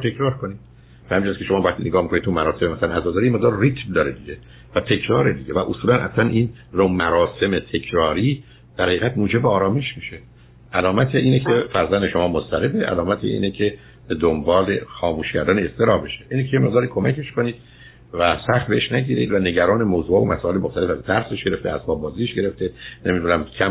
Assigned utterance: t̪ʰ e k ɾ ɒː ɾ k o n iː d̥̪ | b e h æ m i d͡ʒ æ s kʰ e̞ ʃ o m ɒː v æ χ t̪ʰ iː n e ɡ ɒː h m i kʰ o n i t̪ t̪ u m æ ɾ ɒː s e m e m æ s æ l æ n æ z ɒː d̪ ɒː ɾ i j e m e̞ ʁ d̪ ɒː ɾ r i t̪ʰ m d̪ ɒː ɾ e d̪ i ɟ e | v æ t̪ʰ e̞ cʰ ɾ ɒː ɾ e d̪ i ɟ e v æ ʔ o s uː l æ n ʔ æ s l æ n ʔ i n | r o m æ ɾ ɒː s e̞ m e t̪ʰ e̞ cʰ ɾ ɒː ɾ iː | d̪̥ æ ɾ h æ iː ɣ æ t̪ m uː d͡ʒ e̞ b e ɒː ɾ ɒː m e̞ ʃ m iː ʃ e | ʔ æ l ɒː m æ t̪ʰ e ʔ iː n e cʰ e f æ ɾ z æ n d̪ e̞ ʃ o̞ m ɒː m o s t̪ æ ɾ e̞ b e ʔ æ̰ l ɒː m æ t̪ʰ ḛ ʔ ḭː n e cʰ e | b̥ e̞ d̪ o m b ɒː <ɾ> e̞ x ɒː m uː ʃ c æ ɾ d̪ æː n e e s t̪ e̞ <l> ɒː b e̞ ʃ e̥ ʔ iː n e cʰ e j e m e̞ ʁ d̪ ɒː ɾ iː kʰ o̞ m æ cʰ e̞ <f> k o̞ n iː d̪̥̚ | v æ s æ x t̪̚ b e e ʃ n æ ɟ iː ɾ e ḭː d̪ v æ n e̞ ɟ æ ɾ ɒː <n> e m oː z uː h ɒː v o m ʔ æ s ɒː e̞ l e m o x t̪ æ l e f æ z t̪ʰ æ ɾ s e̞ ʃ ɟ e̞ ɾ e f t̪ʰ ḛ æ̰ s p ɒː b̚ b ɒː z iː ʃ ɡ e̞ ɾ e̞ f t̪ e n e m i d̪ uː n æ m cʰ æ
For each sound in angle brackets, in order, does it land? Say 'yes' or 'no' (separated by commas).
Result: no, no, no, yes